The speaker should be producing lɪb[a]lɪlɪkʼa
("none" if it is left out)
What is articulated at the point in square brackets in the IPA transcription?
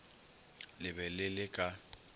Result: ɛ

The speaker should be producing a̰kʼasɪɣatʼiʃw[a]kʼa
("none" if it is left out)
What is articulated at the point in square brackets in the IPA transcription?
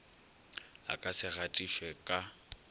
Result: ɛ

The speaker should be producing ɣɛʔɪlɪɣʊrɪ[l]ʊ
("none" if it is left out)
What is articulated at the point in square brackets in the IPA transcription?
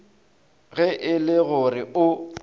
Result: none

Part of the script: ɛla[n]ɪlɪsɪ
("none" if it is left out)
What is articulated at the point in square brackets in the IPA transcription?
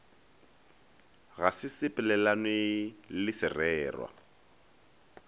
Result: n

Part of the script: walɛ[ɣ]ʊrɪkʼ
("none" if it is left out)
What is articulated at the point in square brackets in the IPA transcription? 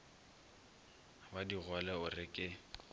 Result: none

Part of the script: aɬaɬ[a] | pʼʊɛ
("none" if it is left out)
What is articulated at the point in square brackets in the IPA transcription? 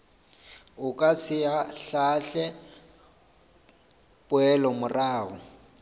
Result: ɛ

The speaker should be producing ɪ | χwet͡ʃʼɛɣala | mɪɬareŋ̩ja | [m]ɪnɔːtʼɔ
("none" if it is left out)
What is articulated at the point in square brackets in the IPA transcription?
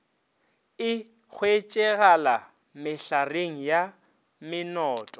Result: m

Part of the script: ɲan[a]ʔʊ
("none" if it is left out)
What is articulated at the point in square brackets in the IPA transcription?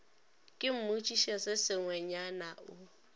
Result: a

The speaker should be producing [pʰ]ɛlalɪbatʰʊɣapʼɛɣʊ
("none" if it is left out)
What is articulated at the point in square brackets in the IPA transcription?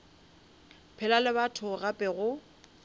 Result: pʰ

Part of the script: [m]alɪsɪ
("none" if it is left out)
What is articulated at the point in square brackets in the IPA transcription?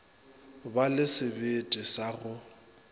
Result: b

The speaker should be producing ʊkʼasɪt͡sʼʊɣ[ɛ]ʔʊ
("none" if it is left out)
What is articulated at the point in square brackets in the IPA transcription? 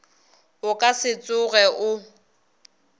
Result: ɛ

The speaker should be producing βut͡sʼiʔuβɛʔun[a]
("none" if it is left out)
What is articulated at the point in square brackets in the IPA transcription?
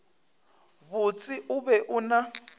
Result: a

